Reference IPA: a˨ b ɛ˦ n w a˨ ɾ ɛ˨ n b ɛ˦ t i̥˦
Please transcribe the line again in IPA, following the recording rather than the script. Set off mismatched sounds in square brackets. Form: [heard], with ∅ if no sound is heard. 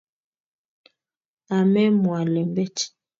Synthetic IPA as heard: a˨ [m] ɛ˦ [m] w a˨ [l] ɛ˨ [m] b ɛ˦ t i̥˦